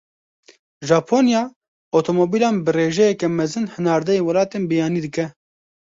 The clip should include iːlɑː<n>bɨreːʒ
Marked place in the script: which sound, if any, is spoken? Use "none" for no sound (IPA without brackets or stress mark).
n